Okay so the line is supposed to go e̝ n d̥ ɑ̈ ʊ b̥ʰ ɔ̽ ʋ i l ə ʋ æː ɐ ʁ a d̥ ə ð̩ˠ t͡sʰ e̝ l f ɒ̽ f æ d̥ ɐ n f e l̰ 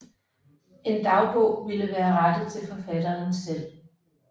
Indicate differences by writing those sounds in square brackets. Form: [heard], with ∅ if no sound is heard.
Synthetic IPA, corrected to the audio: e̝ n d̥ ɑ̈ ʊ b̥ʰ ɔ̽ ʋ i l ə ʋ æː ɐ ʁ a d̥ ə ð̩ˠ t͡sʰ e̝ l f ɒ̽ f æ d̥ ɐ n [s] e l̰